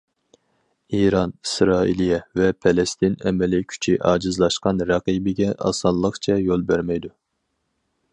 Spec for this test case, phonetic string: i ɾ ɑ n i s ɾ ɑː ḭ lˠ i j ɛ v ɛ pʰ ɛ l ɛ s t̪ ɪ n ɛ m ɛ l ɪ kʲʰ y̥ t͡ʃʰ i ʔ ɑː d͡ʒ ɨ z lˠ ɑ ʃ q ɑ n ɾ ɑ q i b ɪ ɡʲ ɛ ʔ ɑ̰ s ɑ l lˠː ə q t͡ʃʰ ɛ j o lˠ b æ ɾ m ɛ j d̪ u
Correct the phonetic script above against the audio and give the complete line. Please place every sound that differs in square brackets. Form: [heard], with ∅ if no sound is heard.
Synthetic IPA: i ɾ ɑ n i s ɾ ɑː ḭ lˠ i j ɛ v ɛ pʰ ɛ l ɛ s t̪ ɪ n ɛ m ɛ l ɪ kʲʰ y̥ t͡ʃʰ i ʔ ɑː d͡ʒ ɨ z lˠ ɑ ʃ q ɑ n ɾ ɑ q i b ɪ ɡʲ ɛ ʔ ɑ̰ s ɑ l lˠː ə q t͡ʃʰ ɛ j o lˠ b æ ɾ m ɛ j d̪ u